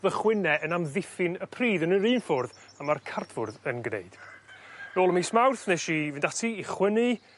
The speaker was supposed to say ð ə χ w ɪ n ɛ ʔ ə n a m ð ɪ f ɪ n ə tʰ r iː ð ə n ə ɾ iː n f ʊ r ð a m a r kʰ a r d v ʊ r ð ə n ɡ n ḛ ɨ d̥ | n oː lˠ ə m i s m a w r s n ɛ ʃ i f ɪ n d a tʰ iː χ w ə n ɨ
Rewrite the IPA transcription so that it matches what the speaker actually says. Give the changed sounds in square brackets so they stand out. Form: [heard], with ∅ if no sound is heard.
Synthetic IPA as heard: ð ə χ w ɪ n ɛ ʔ ə n a m ð ɪ f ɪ n ə [pʰ] r iː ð ə n ə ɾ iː n f ʊ r ð a m a r kʰ a r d v ʊ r ð ə n ɡ n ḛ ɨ d̥ | n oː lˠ ə m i s m a w r [θ] n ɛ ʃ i [v] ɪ n d a tʰ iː χ w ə n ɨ